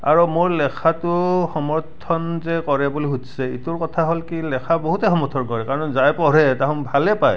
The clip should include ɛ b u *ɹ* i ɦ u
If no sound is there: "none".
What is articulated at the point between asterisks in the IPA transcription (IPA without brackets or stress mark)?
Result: l